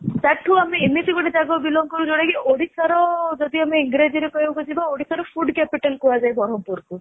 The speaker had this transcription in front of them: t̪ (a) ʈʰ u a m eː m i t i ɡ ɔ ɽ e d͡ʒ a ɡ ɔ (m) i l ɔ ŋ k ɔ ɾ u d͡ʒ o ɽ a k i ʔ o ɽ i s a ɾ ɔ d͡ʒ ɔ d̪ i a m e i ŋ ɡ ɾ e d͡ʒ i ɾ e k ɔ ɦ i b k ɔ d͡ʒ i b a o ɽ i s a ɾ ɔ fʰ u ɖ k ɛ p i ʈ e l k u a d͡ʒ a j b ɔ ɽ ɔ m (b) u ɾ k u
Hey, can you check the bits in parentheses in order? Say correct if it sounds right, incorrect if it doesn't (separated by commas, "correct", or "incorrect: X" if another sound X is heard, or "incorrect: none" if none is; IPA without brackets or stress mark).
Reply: correct, incorrect: b, incorrect: p